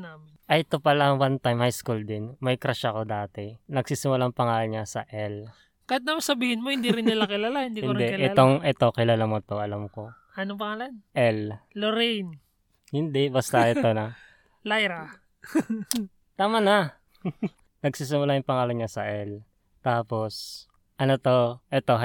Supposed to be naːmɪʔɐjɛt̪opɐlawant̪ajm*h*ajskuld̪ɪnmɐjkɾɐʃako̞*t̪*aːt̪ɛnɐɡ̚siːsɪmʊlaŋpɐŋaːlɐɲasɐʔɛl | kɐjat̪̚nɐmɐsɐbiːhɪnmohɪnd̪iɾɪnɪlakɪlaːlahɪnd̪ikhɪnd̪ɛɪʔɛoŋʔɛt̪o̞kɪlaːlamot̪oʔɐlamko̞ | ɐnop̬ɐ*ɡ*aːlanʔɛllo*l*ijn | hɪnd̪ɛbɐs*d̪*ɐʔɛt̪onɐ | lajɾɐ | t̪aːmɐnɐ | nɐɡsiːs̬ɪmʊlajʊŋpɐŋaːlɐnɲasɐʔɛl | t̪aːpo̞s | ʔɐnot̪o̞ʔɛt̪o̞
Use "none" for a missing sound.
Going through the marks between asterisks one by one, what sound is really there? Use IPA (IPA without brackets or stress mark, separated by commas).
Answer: h, d̪, ŋ, ɾ, t̪